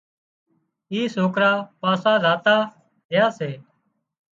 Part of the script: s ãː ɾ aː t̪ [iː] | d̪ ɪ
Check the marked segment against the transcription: incorrect: aː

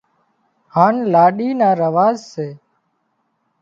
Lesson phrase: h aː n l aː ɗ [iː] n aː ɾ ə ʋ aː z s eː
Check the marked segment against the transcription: correct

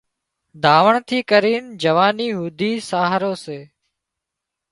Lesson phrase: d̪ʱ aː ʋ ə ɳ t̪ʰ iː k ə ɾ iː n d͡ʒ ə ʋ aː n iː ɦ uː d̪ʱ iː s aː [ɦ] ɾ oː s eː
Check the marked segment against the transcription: correct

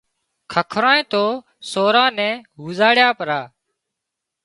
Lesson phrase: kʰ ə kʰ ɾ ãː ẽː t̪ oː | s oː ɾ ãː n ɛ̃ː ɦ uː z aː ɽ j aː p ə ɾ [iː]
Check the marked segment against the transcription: incorrect: aː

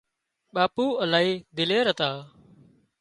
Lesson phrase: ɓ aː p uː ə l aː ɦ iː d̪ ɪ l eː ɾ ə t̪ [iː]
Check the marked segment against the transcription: incorrect: aː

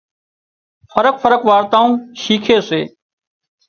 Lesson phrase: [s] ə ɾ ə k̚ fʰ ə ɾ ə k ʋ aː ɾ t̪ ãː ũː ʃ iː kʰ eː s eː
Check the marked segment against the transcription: incorrect: f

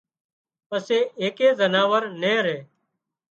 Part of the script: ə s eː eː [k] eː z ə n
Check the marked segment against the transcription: correct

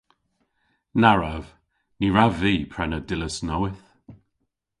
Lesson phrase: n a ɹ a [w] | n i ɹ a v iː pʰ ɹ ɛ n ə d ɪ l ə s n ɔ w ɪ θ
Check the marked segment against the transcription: incorrect: v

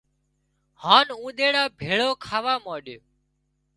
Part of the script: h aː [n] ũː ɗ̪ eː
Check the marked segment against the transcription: correct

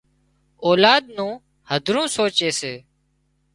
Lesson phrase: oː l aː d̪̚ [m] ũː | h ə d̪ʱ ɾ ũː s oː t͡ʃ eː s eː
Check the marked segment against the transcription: incorrect: n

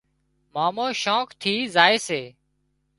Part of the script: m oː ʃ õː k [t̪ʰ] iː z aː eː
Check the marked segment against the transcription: correct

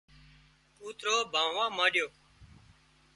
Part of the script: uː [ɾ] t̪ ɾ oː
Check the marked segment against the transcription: incorrect: none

